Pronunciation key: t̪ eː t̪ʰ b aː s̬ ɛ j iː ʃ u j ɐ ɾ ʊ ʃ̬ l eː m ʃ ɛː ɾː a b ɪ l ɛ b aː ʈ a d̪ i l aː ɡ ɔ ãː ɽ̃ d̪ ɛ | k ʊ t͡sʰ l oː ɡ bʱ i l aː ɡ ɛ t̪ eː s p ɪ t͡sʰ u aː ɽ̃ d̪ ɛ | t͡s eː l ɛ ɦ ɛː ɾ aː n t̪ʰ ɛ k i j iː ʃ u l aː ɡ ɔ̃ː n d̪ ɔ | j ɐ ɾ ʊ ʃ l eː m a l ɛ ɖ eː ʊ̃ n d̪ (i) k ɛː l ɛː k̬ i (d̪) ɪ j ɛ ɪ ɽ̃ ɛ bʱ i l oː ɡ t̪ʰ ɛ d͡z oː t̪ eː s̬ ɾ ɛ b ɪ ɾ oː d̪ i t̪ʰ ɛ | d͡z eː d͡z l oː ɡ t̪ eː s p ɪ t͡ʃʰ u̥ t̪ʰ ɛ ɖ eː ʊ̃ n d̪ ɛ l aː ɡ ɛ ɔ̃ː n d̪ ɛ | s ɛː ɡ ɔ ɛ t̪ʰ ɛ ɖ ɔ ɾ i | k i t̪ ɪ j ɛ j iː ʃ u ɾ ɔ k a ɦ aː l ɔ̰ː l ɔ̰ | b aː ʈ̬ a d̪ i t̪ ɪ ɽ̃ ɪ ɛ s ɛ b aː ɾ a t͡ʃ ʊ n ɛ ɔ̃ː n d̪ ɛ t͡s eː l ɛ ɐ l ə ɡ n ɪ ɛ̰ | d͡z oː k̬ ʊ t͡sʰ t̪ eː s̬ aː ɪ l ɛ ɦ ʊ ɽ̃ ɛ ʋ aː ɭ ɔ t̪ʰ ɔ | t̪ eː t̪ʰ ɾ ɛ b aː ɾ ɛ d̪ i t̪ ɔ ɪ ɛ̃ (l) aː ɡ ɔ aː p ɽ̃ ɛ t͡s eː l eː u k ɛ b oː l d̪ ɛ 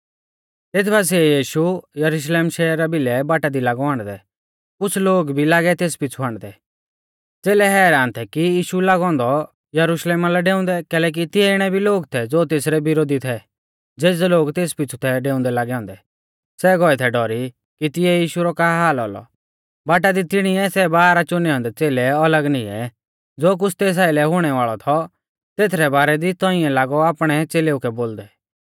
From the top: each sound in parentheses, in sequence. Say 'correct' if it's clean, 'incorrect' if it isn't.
incorrect: ɛ, incorrect: t̪, correct

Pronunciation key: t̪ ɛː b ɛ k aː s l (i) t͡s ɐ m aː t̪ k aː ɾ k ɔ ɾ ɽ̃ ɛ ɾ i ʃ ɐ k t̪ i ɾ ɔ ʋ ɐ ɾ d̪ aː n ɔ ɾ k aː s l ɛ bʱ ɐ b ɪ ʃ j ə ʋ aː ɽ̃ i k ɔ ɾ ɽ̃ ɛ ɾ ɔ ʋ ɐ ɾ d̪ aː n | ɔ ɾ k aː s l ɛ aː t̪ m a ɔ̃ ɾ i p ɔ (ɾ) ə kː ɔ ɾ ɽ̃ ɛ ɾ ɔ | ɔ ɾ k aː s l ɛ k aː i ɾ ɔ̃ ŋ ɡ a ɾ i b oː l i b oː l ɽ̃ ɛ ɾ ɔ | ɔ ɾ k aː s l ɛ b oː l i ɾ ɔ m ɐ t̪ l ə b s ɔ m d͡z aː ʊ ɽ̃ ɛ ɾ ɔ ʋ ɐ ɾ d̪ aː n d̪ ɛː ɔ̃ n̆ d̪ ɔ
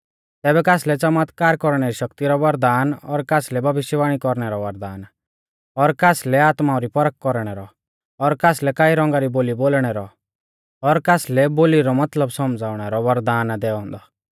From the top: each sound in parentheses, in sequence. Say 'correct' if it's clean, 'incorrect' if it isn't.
incorrect: ɛ, correct

